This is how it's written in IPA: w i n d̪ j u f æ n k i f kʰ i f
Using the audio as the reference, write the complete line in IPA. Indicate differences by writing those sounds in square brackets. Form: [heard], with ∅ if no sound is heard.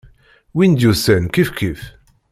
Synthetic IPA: w i n d̪ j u [s] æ n k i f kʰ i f